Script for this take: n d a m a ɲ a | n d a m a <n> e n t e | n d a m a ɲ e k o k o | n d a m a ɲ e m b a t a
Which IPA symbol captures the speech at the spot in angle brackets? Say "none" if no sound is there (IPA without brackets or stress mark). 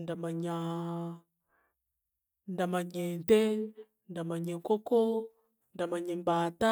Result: ɲ